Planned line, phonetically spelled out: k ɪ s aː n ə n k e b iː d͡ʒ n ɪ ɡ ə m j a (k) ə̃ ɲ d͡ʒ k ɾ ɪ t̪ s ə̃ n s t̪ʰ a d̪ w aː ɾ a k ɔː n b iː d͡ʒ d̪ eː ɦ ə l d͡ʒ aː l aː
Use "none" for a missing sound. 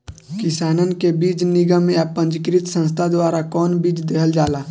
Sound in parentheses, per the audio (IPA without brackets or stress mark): p